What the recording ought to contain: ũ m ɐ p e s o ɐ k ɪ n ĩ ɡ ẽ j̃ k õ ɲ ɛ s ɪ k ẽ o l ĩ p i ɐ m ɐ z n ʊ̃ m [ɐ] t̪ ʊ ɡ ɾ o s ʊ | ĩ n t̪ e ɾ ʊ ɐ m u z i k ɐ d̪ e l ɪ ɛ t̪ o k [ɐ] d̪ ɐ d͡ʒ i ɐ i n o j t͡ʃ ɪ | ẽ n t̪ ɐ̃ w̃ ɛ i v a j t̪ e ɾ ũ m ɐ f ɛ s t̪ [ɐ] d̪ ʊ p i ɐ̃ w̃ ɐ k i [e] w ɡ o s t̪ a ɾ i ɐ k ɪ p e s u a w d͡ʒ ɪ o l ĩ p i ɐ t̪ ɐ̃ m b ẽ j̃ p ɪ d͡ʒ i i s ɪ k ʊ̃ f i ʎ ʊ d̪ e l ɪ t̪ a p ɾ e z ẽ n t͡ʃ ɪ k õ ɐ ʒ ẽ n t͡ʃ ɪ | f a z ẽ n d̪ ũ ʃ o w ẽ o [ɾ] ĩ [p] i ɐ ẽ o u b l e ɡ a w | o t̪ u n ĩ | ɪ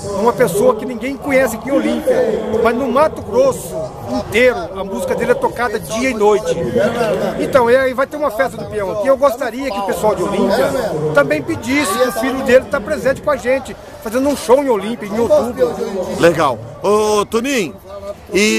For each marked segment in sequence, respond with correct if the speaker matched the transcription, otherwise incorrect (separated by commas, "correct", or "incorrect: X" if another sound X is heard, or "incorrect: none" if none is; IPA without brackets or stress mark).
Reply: incorrect: a, incorrect: a, correct, correct, incorrect: l, correct